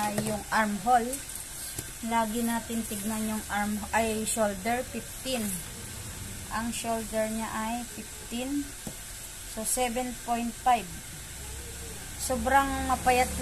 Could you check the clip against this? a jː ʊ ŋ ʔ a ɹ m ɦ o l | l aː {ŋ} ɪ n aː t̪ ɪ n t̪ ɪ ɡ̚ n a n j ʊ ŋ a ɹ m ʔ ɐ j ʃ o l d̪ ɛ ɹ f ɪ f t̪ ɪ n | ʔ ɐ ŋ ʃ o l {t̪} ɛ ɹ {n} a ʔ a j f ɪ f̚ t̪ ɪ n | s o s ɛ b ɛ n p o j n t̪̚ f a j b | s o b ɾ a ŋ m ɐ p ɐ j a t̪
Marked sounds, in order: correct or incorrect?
incorrect: ɡ, incorrect: d̪, incorrect: ɲ

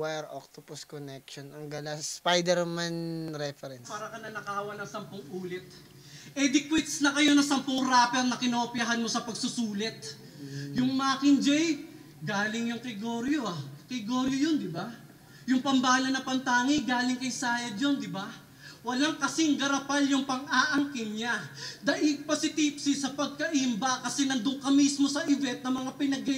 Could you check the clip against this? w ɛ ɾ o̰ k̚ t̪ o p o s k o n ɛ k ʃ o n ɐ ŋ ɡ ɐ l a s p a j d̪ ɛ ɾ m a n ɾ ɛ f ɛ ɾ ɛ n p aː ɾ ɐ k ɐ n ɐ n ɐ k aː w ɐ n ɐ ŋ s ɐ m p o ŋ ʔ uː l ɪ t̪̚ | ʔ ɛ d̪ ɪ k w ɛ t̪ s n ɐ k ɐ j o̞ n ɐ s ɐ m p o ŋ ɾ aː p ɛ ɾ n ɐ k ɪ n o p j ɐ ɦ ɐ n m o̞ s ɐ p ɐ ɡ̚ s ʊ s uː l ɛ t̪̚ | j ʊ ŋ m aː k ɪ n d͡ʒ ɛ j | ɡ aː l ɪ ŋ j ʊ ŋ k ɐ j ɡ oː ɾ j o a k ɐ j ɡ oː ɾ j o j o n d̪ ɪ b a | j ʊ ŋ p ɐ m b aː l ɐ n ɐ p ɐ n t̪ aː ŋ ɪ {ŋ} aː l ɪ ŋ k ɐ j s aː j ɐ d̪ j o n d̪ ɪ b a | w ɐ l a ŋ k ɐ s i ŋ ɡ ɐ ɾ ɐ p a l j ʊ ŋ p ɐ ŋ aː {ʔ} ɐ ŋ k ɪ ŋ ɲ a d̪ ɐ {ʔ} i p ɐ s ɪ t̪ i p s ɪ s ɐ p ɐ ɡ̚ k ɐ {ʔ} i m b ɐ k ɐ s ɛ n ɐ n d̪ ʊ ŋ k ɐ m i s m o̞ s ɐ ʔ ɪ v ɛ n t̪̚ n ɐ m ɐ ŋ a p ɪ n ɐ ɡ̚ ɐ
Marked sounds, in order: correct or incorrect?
incorrect: ɡ, correct, correct, correct

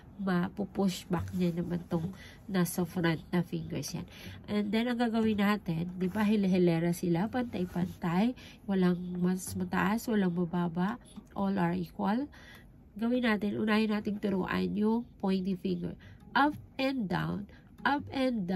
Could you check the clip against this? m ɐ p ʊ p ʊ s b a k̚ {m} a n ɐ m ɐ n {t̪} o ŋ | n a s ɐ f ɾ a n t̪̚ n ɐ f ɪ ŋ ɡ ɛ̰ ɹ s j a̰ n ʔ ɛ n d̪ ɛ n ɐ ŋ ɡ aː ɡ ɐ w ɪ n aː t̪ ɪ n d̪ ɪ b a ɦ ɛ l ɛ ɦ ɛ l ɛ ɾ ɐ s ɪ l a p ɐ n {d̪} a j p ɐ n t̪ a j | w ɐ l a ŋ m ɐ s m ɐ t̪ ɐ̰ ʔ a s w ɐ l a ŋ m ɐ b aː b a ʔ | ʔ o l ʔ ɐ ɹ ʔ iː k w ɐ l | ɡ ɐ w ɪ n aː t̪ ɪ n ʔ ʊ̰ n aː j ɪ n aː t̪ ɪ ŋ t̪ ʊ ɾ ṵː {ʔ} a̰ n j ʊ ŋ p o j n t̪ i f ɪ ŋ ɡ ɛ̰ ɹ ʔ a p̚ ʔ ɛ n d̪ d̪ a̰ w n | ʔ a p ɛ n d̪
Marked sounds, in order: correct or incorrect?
incorrect: ɲ, correct, incorrect: t̪, correct

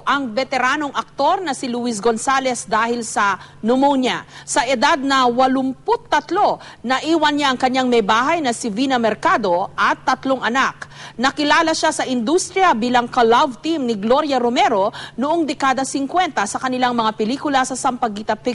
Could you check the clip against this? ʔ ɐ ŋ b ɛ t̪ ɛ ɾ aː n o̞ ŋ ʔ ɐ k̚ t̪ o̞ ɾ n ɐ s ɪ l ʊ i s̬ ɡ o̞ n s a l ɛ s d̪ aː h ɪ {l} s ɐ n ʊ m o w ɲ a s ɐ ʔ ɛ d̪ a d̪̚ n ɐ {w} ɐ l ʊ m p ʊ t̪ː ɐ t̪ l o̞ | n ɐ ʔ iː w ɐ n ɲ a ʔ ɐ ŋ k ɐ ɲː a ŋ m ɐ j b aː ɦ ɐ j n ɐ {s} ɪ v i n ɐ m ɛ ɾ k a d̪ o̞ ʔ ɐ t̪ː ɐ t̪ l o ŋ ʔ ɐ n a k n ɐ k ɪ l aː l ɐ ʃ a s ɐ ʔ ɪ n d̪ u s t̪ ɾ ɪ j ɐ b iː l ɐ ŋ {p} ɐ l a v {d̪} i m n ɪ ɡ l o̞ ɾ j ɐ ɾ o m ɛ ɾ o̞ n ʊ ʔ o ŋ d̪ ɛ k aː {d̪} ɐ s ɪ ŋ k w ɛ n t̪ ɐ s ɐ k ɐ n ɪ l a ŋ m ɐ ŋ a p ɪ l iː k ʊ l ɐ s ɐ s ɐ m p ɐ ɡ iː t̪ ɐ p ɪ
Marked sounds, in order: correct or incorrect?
correct, correct, correct, incorrect: k, incorrect: t̪, correct

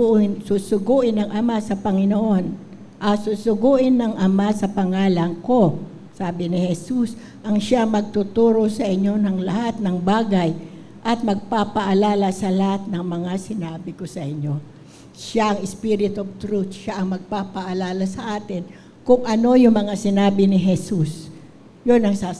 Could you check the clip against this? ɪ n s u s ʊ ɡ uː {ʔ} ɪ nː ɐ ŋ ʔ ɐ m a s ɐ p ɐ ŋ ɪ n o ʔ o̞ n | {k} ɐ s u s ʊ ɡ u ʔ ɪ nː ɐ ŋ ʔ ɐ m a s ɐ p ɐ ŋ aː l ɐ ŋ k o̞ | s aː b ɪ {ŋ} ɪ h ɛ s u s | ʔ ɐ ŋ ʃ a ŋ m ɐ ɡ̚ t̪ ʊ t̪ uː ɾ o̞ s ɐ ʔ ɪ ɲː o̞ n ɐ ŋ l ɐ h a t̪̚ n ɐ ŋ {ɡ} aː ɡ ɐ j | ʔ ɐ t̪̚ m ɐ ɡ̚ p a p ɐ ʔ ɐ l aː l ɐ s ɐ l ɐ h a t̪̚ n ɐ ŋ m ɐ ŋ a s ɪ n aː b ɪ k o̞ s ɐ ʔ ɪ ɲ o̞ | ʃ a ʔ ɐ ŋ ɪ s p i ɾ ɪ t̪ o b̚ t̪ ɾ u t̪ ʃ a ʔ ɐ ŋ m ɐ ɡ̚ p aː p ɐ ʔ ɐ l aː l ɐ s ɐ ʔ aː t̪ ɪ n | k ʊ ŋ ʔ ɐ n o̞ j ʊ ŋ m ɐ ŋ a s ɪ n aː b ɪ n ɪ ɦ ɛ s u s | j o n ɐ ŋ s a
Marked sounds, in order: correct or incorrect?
correct, incorrect: ʔ, incorrect: n, incorrect: b

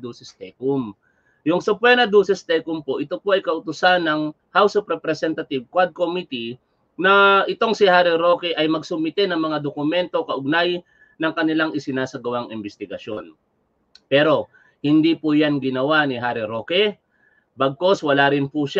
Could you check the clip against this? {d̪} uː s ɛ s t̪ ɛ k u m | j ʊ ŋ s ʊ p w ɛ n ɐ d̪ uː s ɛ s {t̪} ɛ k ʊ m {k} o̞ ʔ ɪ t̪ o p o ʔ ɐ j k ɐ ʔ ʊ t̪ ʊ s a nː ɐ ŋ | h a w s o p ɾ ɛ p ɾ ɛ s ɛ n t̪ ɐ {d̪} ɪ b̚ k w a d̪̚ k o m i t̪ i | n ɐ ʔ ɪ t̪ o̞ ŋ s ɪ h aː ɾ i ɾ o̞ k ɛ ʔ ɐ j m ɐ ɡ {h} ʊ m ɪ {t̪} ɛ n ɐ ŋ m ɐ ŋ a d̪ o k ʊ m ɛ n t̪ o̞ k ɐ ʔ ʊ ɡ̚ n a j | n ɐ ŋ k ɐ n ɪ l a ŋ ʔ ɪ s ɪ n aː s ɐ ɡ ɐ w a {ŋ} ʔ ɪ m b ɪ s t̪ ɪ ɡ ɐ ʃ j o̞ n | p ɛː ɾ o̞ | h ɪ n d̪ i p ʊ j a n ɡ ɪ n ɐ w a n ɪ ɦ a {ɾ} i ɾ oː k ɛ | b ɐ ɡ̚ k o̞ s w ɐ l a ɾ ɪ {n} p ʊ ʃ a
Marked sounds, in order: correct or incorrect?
correct, correct, incorrect: p, incorrect: t̪, incorrect: s, correct, correct, correct, correct

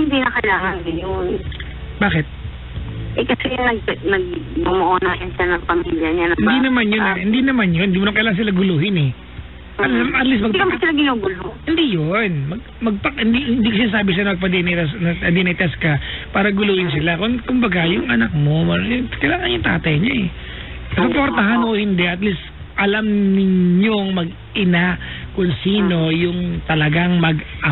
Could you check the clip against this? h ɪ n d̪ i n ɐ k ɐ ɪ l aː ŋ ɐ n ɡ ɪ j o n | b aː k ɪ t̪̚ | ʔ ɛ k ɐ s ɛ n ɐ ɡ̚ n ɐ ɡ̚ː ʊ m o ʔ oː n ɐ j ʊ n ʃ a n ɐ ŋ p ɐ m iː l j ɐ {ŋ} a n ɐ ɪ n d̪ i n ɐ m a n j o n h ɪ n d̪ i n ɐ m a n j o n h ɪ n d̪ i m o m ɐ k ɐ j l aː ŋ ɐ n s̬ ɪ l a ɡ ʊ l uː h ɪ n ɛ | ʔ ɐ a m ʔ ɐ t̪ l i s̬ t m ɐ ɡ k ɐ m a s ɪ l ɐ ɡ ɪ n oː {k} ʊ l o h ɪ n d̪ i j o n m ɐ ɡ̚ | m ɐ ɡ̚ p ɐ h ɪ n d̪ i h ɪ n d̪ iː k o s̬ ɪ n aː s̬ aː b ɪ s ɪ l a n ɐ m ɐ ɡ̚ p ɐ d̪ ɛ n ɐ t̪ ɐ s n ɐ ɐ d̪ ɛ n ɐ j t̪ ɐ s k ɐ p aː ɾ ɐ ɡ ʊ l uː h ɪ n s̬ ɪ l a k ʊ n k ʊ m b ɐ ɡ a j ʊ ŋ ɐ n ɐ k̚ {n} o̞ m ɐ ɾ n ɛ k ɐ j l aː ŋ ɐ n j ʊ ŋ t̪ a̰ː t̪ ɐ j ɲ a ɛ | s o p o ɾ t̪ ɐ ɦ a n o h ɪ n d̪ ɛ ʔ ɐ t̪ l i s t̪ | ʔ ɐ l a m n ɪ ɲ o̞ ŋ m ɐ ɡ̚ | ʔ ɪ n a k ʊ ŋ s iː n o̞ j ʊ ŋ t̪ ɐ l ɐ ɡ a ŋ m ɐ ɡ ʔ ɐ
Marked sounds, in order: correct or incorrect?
incorrect: ɲ, incorrect: ɡ, incorrect: m

